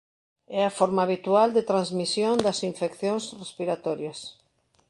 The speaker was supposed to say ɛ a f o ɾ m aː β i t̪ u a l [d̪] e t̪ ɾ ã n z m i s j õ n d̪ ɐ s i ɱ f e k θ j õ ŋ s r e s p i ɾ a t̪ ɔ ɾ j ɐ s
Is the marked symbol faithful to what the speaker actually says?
yes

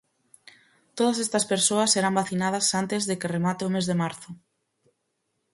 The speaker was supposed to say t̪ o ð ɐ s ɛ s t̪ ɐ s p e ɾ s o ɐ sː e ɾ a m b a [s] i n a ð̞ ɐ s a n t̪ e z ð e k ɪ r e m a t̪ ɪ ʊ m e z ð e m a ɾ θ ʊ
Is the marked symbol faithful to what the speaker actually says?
no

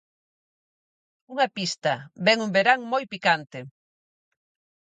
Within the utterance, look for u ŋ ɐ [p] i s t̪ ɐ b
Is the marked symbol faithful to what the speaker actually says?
yes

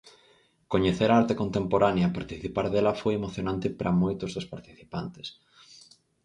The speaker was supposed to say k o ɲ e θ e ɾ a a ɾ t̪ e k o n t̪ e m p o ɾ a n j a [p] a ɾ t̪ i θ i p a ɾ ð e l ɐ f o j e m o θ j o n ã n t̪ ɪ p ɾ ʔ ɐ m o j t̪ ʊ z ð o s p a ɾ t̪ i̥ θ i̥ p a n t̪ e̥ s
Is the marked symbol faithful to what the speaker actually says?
yes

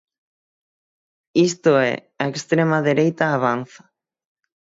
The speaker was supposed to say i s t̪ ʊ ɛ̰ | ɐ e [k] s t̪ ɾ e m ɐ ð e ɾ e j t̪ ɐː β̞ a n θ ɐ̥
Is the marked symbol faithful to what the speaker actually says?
yes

